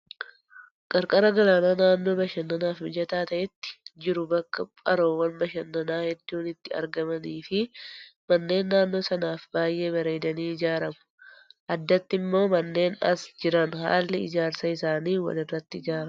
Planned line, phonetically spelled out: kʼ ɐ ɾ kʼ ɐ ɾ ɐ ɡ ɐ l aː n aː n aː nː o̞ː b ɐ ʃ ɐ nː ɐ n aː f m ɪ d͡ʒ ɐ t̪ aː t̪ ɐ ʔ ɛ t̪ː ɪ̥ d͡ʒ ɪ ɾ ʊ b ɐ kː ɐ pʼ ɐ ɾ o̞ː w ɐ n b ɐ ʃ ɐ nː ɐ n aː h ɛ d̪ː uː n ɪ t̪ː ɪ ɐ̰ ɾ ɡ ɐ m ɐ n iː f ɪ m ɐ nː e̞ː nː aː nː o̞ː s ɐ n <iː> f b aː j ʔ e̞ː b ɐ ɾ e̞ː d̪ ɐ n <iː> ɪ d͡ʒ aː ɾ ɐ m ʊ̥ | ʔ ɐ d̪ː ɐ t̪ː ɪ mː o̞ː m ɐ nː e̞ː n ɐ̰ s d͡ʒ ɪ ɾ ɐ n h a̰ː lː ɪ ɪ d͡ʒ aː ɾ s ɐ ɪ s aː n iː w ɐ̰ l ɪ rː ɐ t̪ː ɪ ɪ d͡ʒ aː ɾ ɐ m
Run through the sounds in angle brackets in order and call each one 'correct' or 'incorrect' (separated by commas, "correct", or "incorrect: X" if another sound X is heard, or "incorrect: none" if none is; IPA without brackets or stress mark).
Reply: incorrect: aː, correct